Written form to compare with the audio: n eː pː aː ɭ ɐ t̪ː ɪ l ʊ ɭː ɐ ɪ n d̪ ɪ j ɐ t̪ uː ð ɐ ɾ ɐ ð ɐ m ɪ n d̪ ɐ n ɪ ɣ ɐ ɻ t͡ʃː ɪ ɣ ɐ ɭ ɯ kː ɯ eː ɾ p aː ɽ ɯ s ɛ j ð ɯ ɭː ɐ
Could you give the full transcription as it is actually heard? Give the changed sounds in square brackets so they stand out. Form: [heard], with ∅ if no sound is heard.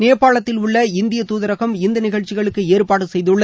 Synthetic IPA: n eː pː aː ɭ ɐ t̪ː ɪ l ʊ ɭː ɐ ɪ n d̪ ɪ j ɐ t̪ uː ð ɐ ɾ ɐ [ɣ] ɐ m ɪ n d̪ ɐ n ɪ ɣ ɐ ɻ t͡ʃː ɪ ɣ ɐ ɭ ɯ kː ɯ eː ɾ p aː ɽ ɯ s ɛ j ð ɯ ɭː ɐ